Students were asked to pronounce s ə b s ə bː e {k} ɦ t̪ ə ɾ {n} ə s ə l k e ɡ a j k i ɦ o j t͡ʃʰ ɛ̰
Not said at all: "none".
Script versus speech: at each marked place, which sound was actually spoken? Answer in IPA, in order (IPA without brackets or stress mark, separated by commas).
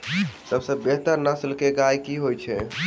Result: none, n